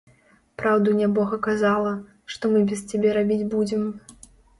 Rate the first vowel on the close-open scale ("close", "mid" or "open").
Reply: open